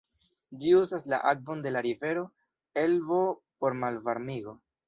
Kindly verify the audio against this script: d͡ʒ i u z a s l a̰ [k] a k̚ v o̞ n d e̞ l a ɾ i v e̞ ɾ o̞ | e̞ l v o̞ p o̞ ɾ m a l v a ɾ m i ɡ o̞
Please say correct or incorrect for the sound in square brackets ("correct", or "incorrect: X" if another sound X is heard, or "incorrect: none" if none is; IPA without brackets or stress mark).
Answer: incorrect: ʔ